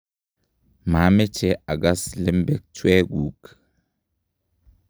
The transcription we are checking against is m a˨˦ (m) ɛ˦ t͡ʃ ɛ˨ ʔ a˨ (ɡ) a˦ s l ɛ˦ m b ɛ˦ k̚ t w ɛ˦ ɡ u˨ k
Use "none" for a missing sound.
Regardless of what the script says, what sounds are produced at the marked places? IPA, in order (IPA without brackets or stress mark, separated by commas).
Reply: m, ɡ